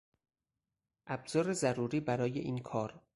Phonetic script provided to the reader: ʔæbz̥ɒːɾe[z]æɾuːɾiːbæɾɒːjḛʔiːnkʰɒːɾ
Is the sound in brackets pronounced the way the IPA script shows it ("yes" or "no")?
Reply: yes